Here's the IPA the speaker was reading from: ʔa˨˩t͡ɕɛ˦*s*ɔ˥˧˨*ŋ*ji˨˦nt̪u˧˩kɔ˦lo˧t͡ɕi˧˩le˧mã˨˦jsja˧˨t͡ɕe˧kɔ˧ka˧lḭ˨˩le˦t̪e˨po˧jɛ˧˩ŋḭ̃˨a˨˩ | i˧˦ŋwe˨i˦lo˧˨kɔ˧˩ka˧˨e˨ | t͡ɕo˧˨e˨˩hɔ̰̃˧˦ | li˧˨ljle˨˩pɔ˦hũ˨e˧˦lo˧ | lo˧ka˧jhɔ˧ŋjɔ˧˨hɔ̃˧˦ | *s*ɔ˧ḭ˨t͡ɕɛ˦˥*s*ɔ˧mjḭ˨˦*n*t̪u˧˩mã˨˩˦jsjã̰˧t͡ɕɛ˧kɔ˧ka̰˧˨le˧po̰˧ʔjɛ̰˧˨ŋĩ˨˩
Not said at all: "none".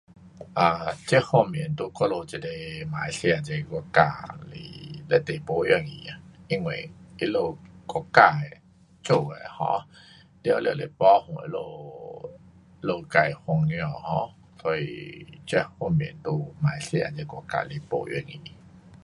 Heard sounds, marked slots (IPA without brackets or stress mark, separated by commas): h, m, s, h, n